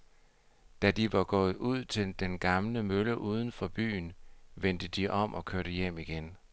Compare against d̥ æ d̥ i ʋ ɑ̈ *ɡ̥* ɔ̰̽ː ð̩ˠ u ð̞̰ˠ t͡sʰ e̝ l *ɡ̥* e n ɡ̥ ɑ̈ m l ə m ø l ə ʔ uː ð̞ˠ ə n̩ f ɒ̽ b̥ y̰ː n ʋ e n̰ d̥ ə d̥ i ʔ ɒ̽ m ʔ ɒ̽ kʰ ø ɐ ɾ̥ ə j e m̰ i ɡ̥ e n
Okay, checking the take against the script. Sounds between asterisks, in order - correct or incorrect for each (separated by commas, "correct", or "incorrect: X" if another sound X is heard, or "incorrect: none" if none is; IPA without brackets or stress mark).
correct, incorrect: d̥